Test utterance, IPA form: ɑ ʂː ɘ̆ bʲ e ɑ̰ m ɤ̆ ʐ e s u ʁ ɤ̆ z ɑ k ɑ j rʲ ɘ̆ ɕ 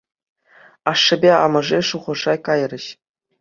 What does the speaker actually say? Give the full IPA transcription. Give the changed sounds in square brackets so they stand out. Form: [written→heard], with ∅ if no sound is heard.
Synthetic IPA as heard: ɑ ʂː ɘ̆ bʲ e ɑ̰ m ɤ̆ ʐ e [s→ʂ] u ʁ ɤ̆ [z→ʐ] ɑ k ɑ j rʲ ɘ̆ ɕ